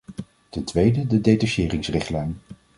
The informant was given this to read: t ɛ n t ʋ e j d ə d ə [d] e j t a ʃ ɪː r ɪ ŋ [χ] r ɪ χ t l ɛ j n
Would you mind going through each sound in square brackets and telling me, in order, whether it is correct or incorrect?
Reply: correct, incorrect

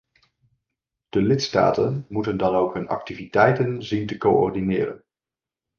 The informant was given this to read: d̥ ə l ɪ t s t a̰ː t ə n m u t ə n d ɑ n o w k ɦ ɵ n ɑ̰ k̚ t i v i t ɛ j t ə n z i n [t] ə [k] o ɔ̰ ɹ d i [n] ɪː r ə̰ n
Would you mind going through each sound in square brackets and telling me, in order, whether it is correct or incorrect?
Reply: correct, correct, correct

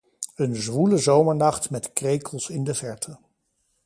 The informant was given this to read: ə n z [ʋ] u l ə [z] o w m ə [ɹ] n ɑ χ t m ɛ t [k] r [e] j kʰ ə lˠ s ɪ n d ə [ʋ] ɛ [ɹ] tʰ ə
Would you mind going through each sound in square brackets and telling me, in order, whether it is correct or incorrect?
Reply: correct, correct, correct, correct, correct, incorrect, correct

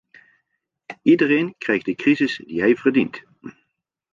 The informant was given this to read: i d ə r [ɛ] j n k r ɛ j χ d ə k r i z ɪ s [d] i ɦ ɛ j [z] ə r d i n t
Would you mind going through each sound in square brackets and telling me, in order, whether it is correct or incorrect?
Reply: incorrect, correct, incorrect

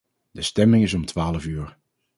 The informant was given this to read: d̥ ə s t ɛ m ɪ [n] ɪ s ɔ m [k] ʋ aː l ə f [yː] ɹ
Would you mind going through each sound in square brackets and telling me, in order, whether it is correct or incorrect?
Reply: incorrect, incorrect, correct

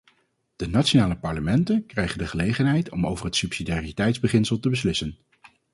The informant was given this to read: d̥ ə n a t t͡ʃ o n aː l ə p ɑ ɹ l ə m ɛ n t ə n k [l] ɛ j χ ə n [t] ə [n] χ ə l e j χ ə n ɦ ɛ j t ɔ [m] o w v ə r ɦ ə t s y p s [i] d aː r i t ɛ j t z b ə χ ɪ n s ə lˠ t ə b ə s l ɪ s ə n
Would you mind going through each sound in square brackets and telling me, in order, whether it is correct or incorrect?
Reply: incorrect, incorrect, incorrect, correct, correct

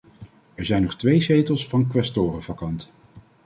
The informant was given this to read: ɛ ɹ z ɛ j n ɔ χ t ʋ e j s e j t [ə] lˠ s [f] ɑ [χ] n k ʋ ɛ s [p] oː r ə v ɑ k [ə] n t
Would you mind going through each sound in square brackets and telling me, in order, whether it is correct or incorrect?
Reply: correct, correct, incorrect, incorrect, incorrect

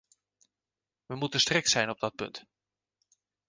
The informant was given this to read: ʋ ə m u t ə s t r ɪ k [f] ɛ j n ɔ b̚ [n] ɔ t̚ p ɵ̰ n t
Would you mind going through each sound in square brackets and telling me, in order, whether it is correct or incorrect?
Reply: incorrect, incorrect

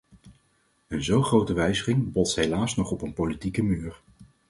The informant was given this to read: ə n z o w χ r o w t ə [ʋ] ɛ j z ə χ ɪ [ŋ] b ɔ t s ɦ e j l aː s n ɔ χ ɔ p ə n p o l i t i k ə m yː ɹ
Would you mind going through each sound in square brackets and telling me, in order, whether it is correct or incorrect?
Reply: correct, correct

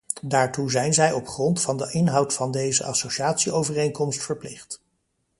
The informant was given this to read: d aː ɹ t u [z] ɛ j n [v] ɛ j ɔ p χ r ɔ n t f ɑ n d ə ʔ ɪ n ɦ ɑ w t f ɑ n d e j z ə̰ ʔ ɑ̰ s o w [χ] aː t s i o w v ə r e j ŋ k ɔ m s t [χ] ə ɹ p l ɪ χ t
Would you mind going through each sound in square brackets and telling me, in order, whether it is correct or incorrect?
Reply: correct, incorrect, incorrect, incorrect

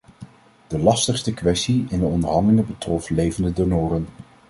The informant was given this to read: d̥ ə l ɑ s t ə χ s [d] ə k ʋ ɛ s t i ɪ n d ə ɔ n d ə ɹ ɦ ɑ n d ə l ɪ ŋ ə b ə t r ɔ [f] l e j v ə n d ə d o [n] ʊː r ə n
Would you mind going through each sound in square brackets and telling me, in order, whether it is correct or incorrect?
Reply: incorrect, correct, correct

